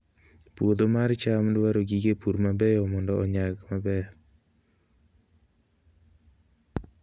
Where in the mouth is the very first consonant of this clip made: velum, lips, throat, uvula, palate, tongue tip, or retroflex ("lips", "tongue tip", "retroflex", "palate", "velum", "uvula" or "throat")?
lips